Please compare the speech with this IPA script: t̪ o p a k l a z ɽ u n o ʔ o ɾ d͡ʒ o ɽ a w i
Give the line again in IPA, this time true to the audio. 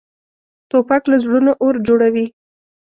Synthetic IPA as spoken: t̪ o p a k l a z ɽ u n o ʔ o ɾ d͡ʒ o ɽ a w i